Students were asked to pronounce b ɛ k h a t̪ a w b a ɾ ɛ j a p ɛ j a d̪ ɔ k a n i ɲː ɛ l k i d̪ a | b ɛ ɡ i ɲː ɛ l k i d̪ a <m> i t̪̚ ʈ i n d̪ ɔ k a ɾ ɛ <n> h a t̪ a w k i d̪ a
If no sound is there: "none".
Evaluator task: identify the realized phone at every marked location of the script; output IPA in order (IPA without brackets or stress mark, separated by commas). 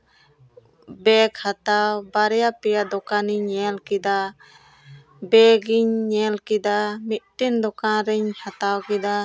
m, ɲ